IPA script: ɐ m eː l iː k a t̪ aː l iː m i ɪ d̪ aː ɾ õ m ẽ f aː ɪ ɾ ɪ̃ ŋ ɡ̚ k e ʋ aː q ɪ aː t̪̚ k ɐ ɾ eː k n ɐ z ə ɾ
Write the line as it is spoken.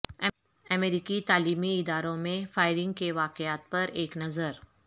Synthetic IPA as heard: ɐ m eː ɾ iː k i t̪ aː l iː m i ɪ d̪ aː ɾ õ m ẽ f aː ɪ ɾ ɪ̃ ŋ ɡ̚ k e ʋ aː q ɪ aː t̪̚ p ɐ ɾ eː k n ɐ z ə ɾ

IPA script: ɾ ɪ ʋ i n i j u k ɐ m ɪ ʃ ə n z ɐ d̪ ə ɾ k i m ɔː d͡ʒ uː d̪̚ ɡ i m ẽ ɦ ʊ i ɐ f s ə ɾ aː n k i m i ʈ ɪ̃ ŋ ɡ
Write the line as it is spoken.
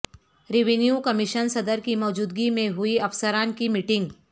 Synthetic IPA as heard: ɾ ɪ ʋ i n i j u k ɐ m ɪ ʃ ə n s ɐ d̪ ə ɾ k i m ɔː d͡ʒ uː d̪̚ ɡ i m ẽ ɦ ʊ i ɐ f s ə ɾ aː n k i m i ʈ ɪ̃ ŋ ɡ

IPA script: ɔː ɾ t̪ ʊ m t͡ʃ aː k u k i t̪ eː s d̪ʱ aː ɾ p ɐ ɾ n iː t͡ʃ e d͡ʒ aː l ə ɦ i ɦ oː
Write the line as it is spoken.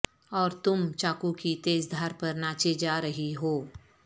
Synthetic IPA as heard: ɔː ɾ t̪ ʊ m t͡ʃ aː k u k i t̪ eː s d̪ʱ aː ɾ p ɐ ɾ n aː t͡ʃ e d͡ʒ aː ɾ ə ɦ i ɦ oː

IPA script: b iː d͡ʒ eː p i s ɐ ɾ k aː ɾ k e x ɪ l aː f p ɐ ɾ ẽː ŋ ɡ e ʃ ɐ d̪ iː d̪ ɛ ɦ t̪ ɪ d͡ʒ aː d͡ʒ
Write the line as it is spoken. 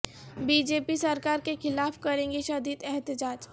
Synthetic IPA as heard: b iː d͡ʒ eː p i s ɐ ɾ k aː ɾ k e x ɪ l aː f k ɐ ɾ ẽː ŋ ɡ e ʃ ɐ d̪ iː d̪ ɛ ɦ t̪ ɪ d͡ʒ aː d͡ʒ

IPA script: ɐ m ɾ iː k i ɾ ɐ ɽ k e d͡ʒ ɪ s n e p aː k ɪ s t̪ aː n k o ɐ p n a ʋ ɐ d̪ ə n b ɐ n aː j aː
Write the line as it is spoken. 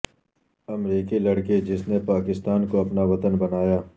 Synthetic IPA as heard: ɐ m ɾ iː k i l ɐ ɽ k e d͡ʒ ɪ s n e p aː k ɪ s t̪ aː n k o ɐ p n a ʋ ɐ t̪ ə n b ɐ n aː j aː

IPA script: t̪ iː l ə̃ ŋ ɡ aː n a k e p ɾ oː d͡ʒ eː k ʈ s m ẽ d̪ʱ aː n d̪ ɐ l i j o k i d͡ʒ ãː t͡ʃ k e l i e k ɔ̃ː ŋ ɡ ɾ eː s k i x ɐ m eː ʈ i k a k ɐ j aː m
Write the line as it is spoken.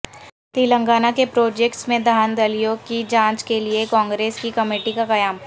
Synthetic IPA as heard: t̪ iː l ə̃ ŋ ɡ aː n a k e p ɾ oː d͡ʒ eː k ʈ s m ẽ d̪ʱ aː n d̪ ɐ l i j o k i d͡ʒ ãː t͡ʃ k e l i e k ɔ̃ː ŋ ɡ ɾ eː s k i k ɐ m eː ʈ i k a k ɐ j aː m

